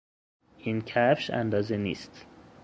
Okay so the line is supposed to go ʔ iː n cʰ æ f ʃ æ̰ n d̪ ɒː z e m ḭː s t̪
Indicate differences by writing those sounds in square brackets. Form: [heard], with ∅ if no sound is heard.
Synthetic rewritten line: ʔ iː n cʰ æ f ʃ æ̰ n d̪ ɒː z e [n] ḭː s t̪